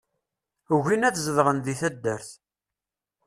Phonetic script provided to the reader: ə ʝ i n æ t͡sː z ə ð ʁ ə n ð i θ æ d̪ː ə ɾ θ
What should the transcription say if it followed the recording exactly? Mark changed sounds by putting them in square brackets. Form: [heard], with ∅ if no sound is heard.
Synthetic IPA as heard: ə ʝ i n æ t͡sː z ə ð ʁ ə n ð i θ æ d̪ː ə ɾ θ